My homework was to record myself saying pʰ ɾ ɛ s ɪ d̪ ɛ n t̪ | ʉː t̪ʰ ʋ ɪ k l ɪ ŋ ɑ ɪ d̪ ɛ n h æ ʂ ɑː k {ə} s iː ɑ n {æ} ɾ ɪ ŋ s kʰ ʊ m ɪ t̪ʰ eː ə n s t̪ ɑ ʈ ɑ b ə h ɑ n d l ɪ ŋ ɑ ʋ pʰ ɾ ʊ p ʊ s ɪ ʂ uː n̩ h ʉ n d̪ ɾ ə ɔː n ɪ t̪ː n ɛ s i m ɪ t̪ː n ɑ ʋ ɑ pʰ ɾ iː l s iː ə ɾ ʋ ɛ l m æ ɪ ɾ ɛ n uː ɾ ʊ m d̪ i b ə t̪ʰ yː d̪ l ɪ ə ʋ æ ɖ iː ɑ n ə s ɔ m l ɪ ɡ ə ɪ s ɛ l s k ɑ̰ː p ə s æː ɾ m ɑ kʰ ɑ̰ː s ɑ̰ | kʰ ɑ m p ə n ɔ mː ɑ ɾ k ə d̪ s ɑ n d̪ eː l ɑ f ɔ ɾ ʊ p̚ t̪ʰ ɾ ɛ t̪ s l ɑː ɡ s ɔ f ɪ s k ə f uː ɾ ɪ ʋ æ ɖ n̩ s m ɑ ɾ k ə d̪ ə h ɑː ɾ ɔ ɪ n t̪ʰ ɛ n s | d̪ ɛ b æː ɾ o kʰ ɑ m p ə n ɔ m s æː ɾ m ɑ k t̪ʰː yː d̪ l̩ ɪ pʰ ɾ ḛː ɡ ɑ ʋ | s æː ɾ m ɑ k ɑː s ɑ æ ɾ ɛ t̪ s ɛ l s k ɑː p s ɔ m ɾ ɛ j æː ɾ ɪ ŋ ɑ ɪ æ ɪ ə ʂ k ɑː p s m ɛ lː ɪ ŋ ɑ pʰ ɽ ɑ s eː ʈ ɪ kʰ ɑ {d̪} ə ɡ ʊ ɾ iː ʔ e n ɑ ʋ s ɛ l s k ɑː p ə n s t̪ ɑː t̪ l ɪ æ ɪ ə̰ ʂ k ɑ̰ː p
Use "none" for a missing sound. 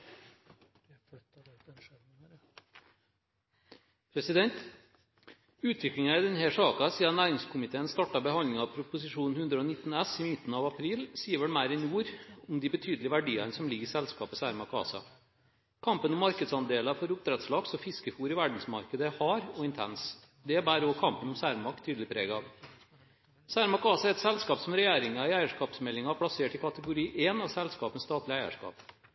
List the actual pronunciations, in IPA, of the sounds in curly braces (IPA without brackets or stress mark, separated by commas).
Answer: ɑ, æː, t̪